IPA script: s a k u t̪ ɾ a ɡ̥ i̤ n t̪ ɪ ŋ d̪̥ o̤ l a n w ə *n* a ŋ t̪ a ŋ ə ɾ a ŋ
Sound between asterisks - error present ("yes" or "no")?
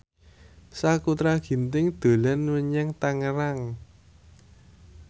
yes